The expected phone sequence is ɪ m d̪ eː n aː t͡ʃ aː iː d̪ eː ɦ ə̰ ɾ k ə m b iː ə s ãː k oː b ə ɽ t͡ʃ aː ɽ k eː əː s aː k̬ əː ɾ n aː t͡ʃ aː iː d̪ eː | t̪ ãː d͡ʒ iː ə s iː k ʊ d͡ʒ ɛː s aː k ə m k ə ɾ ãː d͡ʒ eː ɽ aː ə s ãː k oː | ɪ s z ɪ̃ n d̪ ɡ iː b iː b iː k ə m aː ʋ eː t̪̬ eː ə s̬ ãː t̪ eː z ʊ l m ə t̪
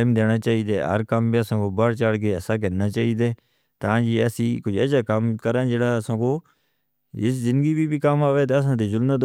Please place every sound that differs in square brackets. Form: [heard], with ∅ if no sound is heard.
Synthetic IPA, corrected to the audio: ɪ m d̪ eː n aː t͡ʃ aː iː d̪ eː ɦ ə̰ ɾ k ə m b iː ə s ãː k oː b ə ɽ t͡ʃ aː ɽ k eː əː s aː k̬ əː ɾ n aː t͡ʃ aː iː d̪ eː | t̪ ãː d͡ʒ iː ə s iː k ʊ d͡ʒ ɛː s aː k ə m k ə ɾ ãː d͡ʒ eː ɽ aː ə s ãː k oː | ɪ s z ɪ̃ n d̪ ɡ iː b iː b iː k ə m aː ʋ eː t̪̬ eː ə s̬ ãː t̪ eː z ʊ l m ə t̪